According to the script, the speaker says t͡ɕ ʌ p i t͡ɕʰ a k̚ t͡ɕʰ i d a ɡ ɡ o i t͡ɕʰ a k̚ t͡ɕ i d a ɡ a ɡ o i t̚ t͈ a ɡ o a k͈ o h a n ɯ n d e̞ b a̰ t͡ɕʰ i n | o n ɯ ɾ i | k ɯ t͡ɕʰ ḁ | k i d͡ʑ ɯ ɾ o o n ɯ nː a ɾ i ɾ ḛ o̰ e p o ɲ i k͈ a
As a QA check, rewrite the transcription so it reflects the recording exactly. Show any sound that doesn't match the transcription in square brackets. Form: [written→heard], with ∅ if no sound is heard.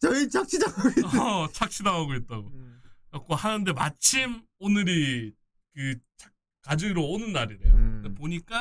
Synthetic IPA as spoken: t͡ɕ ʌ [p→∅] i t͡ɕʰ a k̚ t͡ɕʰ i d a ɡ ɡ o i t͡ɕʰ a k̚ [t͡ɕ→t͡ɕʰ] i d a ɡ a ɡ o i t̚ t͈ a ɡ o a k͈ o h a n ɯ n d e̞ [b→m] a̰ t͡ɕʰ i [n→m] | o n ɯ ɾ i | k ɯ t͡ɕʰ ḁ | k [i→a] d͡ʑ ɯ ɾ o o n ɯ nː a ɾ i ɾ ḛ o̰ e p o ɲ i k͈ a